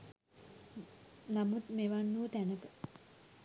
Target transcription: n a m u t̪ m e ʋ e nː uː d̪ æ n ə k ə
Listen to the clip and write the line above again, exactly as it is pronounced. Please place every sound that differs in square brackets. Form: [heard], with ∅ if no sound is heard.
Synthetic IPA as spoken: n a m u t̪ m e ʋ [a] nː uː [t̪] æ n ə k ə